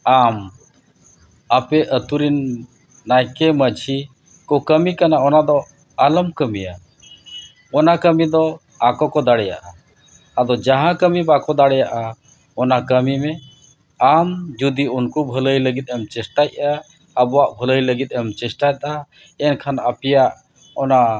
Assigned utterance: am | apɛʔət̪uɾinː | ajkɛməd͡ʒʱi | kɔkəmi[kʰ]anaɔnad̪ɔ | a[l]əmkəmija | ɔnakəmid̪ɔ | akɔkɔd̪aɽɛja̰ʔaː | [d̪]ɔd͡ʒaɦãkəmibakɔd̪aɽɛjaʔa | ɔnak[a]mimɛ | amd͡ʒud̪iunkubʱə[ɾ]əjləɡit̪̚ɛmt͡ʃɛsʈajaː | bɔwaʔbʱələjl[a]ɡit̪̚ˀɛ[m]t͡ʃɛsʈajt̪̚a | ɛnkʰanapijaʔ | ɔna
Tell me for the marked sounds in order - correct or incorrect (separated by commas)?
incorrect, correct, correct, incorrect, incorrect, incorrect, correct